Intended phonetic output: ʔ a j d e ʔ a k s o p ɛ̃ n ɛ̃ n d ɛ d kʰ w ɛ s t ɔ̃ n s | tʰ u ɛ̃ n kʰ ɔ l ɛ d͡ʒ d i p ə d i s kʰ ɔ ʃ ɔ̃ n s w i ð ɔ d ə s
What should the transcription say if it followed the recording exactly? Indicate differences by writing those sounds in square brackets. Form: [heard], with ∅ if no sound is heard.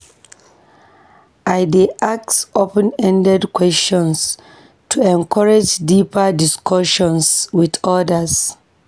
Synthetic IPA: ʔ a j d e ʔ a k s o p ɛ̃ n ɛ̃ n d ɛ d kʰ w ɛ s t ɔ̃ n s | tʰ u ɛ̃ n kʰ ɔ [ɹ] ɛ d͡ʒ d i p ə d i s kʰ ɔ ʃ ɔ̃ n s w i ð ɔ d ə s